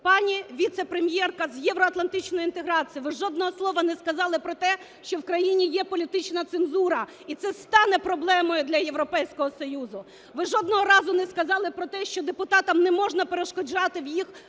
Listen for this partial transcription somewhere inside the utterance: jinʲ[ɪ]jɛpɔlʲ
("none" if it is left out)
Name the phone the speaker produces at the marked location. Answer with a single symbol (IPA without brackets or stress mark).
i